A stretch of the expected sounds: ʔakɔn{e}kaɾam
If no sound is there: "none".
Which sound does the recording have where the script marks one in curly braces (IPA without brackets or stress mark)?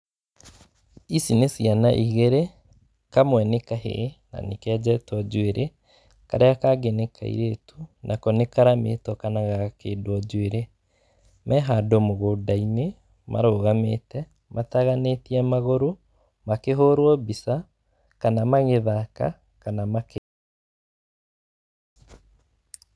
e